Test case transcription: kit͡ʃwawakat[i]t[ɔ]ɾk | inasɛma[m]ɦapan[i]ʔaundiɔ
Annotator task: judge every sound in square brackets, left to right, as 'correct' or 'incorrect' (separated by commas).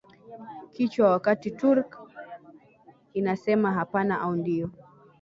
correct, incorrect, incorrect, incorrect